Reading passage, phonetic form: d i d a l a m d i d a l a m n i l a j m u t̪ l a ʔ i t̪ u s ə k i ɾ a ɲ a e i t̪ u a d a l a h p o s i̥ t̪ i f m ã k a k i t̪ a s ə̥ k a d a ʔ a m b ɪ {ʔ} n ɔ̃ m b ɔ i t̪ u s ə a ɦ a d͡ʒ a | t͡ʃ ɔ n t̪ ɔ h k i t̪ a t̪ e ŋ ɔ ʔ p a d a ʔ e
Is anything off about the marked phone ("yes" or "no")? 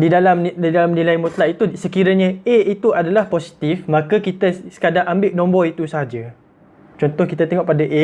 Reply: no